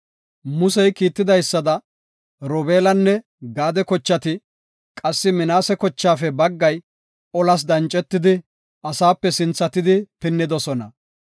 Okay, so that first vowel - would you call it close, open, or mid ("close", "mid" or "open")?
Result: close